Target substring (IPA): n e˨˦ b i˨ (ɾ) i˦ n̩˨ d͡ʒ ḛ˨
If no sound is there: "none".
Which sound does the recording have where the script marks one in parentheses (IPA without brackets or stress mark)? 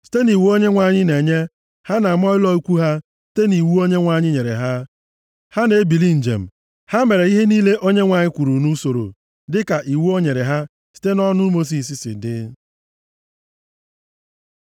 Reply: l